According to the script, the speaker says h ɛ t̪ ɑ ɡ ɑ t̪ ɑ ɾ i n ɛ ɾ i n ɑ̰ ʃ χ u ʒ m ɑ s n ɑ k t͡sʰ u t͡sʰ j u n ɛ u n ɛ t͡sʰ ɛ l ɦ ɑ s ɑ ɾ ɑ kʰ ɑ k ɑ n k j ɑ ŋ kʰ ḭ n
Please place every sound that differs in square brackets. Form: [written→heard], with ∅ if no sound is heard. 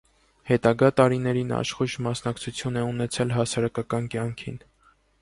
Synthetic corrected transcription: h ɛ t̪ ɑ ɡ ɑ t̪ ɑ ɾ i n ɛ ɾ i n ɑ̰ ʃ χ u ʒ m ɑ s n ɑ k t͡sʰ u t͡sʰ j u n ɛ u n ɛ t͡sʰ ɛ l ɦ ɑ s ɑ ɾ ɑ [kʰ→k] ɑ k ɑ n k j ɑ ŋ kʰ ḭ n